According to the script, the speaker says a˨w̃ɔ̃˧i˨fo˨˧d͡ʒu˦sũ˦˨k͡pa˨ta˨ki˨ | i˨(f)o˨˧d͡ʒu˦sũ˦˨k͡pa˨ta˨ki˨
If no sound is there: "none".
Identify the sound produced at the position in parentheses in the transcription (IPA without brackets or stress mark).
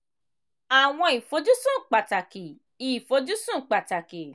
f